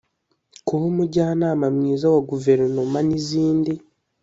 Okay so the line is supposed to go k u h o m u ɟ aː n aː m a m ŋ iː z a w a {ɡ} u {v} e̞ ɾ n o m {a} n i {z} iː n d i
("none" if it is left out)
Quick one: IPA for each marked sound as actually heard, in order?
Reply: ɡ, v, a, z

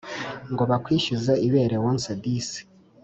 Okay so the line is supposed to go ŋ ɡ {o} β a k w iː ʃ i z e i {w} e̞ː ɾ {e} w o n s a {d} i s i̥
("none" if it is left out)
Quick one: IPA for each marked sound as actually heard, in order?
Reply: o, β, e, d

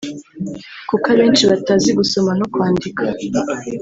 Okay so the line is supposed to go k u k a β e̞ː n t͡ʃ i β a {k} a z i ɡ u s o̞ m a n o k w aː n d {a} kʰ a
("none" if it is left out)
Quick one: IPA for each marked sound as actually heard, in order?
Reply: t, i

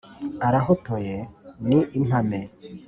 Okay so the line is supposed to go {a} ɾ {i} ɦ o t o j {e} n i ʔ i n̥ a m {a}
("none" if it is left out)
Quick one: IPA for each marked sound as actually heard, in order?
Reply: a, a, e, e

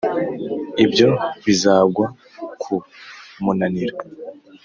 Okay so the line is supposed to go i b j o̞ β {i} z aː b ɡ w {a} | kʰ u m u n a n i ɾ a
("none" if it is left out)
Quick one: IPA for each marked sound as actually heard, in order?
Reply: i, a

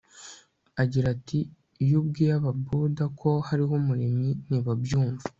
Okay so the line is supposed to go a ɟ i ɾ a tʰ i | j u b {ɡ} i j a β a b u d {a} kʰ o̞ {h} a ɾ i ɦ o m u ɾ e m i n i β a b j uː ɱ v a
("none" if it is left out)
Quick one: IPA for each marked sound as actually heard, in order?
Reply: ɡ, a, h

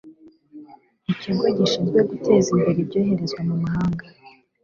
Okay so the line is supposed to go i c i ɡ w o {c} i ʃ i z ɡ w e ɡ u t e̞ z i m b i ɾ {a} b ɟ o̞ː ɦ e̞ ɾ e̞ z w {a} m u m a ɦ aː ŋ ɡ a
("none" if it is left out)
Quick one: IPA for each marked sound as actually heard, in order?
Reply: ɟ, i, a

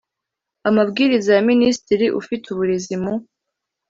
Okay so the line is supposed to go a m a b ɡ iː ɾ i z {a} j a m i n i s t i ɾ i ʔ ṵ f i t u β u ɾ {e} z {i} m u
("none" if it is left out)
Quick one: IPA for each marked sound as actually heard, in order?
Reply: a, e, i

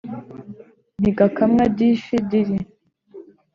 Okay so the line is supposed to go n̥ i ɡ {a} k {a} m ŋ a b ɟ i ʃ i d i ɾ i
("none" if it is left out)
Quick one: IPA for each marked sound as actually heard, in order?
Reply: a, a

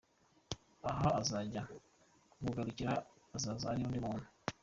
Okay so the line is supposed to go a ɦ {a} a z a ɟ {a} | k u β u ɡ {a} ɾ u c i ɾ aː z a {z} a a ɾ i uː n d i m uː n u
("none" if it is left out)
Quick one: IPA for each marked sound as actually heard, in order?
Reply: a, a, a, z

